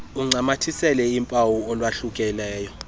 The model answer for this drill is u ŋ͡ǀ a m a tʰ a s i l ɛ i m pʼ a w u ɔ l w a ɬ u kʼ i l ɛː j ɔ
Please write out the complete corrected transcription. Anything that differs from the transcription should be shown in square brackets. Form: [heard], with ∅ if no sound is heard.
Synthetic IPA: u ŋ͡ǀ a m a tʰ [i] s [ɛ] l ɛ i m pʼ a w u ɔ l w a ɬ u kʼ [ɛ] l ɛː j ɔ